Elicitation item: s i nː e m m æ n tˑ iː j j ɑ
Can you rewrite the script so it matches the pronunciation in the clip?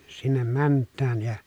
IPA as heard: s i nː e m m æ n tˑ æː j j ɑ